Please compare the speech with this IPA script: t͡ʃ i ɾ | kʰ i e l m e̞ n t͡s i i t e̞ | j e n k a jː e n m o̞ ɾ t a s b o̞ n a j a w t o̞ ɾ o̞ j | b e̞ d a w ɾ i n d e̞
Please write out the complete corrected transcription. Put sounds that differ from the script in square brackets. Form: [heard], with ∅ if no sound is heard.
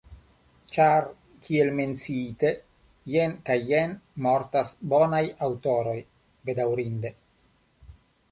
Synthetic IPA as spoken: t͡ʃ [a] ɾ | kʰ i e l m e̞ n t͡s i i t e̞ | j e n k a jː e n m o̞ ɾ t a s b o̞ n a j a w t o̞ ɾ o̞ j | b e̞ d a w ɾ i n d e̞